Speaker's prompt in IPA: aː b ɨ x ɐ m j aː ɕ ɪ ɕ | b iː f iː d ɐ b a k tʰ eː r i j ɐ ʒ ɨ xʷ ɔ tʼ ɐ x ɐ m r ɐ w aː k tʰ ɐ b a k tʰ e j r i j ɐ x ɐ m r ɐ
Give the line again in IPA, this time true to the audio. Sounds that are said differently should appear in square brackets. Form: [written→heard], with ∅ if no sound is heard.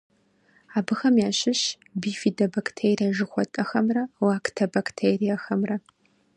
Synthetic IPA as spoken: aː b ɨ x ɐ m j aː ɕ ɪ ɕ | b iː f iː d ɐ b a k tʰ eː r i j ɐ ʒ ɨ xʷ ɔ tʼ ɐ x ɐ m r ɐ w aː k tʰ ɐ b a k tʰ e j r i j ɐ x ɐ m r ɐ

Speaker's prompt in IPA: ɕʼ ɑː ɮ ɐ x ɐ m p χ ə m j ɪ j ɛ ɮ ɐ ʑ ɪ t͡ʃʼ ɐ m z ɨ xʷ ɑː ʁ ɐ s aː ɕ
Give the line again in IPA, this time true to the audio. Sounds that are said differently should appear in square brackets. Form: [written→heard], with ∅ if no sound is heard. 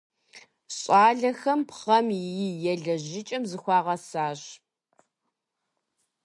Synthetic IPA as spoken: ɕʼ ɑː ɮ ɐ x ɐ m p χ [ə→ɐ] m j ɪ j ɛ ɮ ɐ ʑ ɪ t͡ʃʼ ɐ m z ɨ xʷ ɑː ʁ ɐ s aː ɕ

